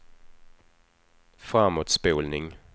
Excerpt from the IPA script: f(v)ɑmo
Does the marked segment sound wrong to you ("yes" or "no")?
yes